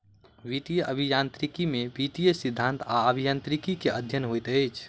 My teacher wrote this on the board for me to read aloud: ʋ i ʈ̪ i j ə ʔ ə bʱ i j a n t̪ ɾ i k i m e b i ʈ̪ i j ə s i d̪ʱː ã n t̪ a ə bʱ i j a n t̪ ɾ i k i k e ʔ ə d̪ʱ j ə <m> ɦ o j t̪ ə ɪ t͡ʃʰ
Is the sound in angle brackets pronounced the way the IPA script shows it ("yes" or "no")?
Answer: no